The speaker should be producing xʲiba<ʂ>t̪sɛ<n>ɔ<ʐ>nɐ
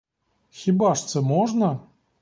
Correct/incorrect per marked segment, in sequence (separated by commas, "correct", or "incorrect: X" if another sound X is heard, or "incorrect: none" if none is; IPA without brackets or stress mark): correct, incorrect: m, correct